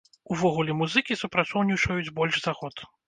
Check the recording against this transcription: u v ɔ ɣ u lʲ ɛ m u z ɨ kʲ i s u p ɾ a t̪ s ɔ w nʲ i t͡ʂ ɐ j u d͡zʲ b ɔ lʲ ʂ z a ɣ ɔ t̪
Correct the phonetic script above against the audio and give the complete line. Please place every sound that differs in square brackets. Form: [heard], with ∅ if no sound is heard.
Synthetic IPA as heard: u v ɔ ɣ u lʲ ɛ m u z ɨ kʲ i s u p ɾ a t̪ s ɔ w nʲ i t͡ʂ ɐ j u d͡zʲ b ɔ lʲ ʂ z a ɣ ɔ t̪